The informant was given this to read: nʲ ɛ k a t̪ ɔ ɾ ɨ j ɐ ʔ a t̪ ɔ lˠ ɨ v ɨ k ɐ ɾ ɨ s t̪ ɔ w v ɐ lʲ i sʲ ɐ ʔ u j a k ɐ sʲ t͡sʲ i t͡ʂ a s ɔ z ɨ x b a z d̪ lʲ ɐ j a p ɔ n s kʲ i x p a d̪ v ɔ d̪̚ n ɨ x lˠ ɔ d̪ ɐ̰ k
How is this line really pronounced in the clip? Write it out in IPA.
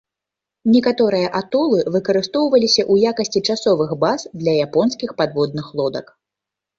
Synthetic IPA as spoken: nʲ ɛ k a t̪ ɔ ɾ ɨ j ɐ ʔ a t̪ ɔ lˠ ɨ v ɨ k ɐ ɾ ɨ s t̪ ɔ w v ɐ lʲ i sʲ ɐ ʔ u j a k ɐ sʲ t͡sʲ i t͡ʂ a s ɔ v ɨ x b a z d̪ lʲ ɐ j a p ɔ n s kʲ i x p a d̪ v ɔ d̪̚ n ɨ x lˠ ɔ d̪ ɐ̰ k